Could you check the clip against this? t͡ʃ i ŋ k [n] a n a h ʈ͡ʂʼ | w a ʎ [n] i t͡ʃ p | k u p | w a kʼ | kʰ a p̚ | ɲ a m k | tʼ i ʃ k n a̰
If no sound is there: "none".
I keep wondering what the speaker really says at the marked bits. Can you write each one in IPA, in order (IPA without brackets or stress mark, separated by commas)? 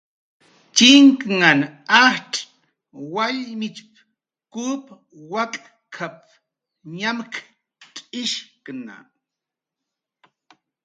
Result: ŋ, m